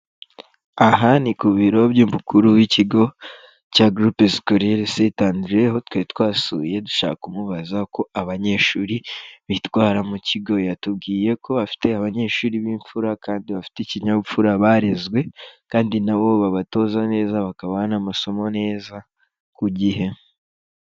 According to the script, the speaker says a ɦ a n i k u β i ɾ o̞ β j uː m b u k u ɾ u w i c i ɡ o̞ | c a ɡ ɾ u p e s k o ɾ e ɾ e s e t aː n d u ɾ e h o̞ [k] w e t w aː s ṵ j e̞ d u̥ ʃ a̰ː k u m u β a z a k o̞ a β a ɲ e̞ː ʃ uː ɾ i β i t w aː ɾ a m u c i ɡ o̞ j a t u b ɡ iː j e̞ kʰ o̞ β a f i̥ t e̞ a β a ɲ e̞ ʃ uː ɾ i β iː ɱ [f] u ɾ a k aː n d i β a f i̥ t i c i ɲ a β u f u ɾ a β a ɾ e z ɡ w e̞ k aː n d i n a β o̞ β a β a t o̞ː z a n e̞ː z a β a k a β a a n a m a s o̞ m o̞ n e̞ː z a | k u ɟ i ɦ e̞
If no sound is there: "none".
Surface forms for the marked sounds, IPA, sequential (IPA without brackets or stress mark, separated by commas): t, f